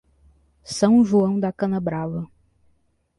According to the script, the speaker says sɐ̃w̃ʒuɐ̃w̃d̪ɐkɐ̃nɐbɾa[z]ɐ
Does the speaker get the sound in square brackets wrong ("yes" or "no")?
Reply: yes